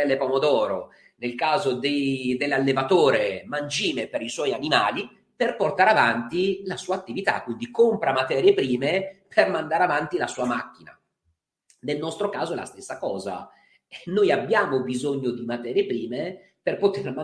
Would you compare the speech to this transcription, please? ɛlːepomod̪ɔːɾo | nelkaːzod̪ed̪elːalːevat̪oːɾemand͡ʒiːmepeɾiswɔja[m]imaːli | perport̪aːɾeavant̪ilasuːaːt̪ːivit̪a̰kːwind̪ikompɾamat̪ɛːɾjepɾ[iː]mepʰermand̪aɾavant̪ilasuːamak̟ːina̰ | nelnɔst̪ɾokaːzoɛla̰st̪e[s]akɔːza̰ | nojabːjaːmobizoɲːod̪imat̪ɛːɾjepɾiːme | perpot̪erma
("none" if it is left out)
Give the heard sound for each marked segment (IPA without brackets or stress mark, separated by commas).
n, iː, sː